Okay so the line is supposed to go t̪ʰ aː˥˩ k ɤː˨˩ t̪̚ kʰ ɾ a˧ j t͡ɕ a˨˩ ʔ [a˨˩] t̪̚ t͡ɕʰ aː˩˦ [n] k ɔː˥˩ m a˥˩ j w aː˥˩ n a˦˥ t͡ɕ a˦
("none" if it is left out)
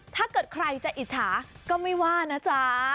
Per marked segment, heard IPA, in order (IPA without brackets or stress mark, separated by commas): i˨˩, none